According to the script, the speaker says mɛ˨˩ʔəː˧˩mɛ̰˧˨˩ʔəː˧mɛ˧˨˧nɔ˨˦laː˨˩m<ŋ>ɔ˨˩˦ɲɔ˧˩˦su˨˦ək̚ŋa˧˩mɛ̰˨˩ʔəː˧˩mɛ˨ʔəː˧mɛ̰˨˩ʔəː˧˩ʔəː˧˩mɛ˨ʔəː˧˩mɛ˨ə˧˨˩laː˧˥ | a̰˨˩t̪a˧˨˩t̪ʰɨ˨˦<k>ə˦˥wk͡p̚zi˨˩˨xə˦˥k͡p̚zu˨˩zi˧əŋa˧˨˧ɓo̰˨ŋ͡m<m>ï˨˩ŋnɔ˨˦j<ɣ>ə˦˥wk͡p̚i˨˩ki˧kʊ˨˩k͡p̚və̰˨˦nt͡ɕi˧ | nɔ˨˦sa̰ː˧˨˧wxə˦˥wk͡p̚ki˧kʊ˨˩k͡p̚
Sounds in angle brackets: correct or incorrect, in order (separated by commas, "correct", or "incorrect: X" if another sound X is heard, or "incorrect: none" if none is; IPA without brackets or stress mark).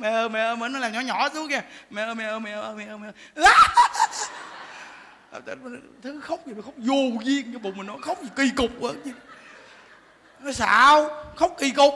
incorrect: ɲ, incorrect: x, correct, incorrect: x